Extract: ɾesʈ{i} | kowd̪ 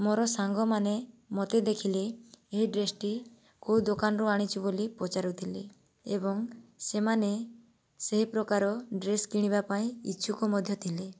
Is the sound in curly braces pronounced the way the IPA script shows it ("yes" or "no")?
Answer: yes